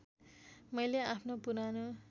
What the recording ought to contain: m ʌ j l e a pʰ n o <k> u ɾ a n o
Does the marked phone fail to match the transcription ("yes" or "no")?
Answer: yes